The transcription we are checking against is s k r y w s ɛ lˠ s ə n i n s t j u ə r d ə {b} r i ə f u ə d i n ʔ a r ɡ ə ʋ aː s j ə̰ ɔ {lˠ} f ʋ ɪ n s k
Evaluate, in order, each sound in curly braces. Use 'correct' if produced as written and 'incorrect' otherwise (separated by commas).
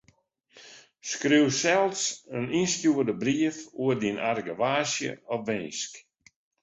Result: correct, incorrect